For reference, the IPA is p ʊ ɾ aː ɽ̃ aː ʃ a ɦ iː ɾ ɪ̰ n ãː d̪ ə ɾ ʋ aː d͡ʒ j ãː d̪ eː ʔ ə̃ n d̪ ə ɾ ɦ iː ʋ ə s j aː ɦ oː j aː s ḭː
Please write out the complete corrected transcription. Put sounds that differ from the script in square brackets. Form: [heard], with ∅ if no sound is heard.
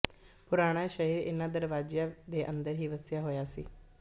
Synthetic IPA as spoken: p ʊ ɾ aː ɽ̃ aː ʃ [ə] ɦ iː ɾ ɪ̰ n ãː d̪ ə ɾ ʋ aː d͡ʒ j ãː d̪ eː ʔ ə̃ n d̪ ə ɾ ɦ iː ʋ ə s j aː ɦ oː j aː s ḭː